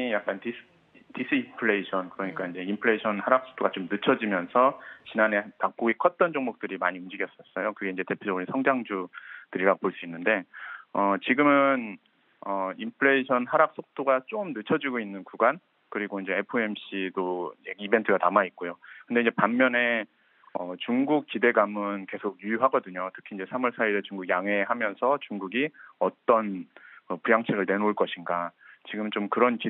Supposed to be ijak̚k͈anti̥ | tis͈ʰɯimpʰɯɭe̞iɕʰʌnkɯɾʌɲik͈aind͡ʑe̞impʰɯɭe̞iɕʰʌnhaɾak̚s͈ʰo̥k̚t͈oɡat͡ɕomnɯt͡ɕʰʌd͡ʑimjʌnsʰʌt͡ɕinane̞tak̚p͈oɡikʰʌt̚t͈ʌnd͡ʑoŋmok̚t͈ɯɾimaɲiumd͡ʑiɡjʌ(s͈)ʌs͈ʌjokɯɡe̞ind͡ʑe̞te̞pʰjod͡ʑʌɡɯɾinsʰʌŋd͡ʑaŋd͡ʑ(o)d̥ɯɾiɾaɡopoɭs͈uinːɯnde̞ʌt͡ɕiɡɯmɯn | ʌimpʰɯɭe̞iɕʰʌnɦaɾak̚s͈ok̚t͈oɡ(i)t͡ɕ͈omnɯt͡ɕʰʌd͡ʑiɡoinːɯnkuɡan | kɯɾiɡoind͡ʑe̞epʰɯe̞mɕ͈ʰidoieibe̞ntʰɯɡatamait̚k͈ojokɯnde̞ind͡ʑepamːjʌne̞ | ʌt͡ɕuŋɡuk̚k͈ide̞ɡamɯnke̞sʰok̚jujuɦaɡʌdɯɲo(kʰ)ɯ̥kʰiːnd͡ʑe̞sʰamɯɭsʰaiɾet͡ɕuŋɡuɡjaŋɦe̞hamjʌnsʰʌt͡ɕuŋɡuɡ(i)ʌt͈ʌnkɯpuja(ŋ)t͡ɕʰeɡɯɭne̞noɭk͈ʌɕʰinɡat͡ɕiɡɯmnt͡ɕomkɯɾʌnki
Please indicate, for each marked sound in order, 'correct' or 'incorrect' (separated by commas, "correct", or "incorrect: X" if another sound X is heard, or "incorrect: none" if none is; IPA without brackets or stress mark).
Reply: correct, incorrect: u, incorrect: a, incorrect: tʰ, correct, correct